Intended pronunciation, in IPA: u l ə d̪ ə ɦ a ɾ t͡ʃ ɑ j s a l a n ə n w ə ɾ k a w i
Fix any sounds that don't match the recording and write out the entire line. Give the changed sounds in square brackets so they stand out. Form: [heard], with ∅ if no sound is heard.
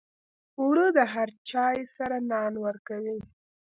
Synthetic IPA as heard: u [ɽ] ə d̪ ə ɦ a ɾ t͡ʃ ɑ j s a [ɾ] a n [ɑ] n w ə ɾ k a w i

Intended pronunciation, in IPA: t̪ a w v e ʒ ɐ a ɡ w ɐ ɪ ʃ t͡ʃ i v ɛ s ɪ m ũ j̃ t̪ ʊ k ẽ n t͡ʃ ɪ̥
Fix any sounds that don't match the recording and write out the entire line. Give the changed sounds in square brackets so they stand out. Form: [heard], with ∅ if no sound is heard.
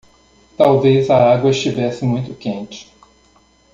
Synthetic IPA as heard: t̪ a w v e [z] ɐ a ɡ w ɐ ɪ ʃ t͡ʃ i v ɛ s ɪ m ũ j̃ t̪ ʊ k ẽ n t͡ʃ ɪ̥

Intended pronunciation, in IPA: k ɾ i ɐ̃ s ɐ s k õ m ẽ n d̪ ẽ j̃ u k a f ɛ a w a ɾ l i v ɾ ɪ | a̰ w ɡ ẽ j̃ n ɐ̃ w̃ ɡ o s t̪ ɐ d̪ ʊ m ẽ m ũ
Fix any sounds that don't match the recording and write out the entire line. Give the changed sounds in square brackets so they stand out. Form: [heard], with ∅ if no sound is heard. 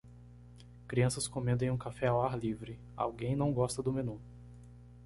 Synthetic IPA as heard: k ɾ i ɐ̃ s ɐ s k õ m ẽ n d̪ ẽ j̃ [ũ] k a f ɛ a w a ɾ l i v ɾ ɪ | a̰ w ɡ ẽ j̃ n ɐ̃ w̃ ɡ [ɔ] s t̪ ɐ d̪ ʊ m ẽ [n] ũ

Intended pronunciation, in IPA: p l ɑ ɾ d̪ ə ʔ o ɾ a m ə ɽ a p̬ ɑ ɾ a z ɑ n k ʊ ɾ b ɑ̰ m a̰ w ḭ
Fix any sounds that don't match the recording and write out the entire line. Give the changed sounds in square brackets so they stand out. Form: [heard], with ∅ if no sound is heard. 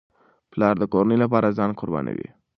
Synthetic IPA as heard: p l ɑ ɾ d̪ ə [k] o ɾ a [n] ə [l] a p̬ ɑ ɾ a z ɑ n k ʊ ɾ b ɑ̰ [n] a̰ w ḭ

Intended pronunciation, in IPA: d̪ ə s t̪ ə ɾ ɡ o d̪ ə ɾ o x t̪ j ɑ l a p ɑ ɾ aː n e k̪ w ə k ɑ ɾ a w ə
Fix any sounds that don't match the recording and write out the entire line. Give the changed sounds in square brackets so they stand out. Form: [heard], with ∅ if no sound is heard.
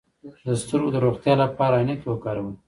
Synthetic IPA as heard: d̪ ə s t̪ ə ɾ ɡ o d̪ ə ɾ o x t̪ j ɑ l a p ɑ ɾ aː n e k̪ w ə k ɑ ɾ a w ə

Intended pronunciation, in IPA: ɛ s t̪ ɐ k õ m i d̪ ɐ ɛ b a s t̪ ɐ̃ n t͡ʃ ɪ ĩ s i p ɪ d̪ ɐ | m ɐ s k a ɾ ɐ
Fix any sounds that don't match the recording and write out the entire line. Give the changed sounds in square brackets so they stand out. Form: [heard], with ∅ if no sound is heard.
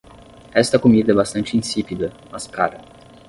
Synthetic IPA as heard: ɛ s t̪ ɐ k [o] m i d̪ ɐ ɛ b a s t̪ ɐ̃ n t͡ʃ ɪ ĩ s i p [i] d̪ ɐ | m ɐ s k a ɾ ɐ

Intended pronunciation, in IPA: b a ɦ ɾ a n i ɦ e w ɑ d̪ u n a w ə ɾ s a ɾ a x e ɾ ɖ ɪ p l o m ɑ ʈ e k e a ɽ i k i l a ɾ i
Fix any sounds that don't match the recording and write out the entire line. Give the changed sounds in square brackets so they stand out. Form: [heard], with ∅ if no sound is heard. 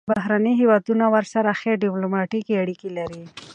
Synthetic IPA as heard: b a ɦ ɾ a n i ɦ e w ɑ d̪ u n a w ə ɾ s a ɾ a x e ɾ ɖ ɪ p l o m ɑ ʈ [i] k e a ɽ i k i l a ɾ i

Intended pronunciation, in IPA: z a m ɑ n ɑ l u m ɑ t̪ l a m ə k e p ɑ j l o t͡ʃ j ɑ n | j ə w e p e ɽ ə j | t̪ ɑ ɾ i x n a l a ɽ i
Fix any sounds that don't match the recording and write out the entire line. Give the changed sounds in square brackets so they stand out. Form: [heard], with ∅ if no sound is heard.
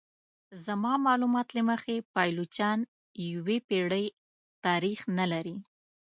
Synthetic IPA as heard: z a m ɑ [m] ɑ l u m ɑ t̪ l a m ə [x] e p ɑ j l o t͡ʃ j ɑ n | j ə w e p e ɽ ə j | t̪ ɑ ɾ i x n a l a [ɾ] i

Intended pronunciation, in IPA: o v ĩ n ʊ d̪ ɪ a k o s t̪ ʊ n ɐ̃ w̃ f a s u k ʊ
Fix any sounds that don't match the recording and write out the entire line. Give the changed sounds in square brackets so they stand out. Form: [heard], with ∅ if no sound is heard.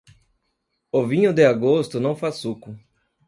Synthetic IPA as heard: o v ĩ [ɲ] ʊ d̪ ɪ a [ɡ] o s t̪ ʊ n ɐ̃ w̃ f a s u k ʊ

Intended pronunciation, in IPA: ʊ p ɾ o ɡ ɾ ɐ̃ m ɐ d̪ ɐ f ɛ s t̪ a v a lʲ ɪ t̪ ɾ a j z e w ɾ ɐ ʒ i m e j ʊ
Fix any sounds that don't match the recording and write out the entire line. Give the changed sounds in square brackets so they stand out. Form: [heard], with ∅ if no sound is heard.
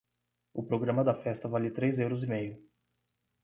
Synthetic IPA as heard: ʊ p ɾ o ɡ ɾ ɐ̃ m ɐ d̪ ɐ f ɛ s t̪ [ɐ] v a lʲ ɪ t̪ ɾ [e] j z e w ɾ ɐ [z] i m e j ʊ

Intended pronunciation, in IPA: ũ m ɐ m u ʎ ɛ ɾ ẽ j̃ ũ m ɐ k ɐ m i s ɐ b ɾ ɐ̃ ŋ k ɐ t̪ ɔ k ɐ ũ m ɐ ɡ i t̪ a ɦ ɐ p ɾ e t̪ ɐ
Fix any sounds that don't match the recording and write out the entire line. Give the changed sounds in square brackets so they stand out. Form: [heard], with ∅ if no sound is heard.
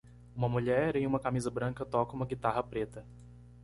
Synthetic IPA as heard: ũ m ɐ m u ʎ ɛ ɾ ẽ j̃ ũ m ɐ k [a] m i [z] ɐ b ɾ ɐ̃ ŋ k ɐ t̪ ɔ k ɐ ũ m ɐ ɡ i t̪ a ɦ ɐ p ɾ e t̪ ɐ

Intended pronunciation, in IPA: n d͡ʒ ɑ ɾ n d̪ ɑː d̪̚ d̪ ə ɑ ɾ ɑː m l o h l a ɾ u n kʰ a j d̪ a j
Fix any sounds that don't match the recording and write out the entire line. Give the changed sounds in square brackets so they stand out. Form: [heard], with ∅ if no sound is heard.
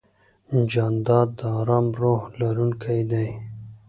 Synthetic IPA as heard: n d͡ʒ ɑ [∅] n d̪ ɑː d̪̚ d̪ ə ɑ ɾ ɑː m [ɾ] o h l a ɾ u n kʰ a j d̪ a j

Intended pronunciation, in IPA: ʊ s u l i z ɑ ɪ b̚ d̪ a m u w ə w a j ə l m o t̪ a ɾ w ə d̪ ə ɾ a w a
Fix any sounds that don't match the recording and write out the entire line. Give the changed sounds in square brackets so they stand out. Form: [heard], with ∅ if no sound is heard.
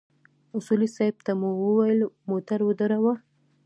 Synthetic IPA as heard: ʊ s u l i [s] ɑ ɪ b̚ [t̪] a m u w ə w a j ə l m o t̪ a ɾ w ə d̪ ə ɾ a w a

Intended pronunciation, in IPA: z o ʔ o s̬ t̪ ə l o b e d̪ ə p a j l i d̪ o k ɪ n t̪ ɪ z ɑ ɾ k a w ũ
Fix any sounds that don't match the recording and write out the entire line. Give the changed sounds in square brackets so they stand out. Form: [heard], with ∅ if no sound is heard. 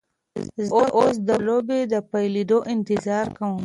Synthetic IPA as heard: z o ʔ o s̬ [d̪] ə l o b e d̪ ə p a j l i d̪ o [ʔ] ɪ n t̪ ɪ z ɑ ɾ k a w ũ

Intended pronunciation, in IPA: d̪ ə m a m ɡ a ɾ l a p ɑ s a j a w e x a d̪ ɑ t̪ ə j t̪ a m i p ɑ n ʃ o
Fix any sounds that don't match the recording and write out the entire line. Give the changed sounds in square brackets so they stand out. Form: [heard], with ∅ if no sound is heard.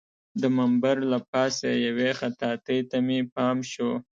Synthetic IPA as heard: d̪ ə m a m [b] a ɾ l a p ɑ s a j a w e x a [t̪] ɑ t̪ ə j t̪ a m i p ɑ [m] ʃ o

